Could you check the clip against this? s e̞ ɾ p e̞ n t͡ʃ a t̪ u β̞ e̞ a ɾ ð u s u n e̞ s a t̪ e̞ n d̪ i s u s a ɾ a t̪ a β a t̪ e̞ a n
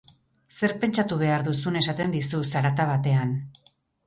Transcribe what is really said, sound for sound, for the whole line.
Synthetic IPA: s e̞ ɾ p e̞ n t͡ʃ a t̪ u β̞ e̞ a ɾ ð u s u n e̞ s a t̪ e̞ n d̪ i s u s a ɾ a t̪ a β a t̪ e̞ a n